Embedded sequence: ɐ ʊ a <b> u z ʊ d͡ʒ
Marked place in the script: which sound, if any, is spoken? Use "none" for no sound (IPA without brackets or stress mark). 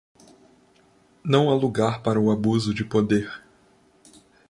b